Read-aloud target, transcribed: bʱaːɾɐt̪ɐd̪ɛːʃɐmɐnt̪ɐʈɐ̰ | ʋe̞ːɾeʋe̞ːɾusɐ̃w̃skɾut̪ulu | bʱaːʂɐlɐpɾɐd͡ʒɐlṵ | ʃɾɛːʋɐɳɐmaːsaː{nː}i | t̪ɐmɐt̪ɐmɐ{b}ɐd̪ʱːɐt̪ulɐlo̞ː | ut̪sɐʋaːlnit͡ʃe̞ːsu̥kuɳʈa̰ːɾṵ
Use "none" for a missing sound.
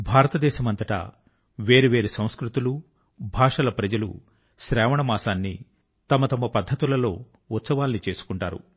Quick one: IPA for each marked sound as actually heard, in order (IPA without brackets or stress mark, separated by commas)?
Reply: nː, p